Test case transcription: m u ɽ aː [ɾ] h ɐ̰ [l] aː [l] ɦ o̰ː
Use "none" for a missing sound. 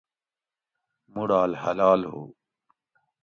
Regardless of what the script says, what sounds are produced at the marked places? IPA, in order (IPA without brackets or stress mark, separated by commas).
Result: l, l, l